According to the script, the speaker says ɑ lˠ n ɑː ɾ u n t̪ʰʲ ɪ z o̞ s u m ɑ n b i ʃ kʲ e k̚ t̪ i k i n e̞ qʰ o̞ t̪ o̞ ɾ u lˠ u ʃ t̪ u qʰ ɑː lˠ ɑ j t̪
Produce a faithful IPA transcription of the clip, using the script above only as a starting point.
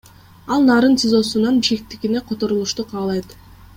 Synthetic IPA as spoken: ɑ lˠ n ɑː ɾ ɯ n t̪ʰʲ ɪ z o̞ s u n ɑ n b i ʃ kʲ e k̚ t̪ i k i n e̞ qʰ o̞ t̪ o̞ ɾ u lˠ u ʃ t̪ u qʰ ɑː lˠ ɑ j t̪